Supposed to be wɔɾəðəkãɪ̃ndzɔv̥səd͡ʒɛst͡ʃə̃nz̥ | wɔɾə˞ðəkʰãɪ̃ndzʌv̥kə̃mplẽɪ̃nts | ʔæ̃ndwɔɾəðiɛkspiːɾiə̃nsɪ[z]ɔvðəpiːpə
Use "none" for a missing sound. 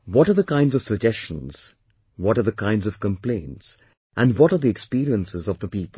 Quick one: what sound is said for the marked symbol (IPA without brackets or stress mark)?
z